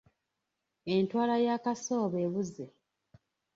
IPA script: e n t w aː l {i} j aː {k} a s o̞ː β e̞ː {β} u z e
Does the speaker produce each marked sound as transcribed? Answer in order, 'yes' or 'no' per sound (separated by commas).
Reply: no, yes, yes